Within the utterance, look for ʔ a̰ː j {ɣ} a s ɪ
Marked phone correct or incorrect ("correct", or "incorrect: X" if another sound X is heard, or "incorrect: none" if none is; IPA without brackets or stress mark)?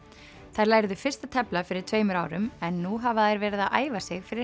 incorrect: v